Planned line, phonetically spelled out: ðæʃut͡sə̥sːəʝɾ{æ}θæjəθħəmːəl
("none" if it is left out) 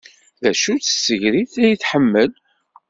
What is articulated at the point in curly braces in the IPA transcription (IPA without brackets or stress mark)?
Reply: i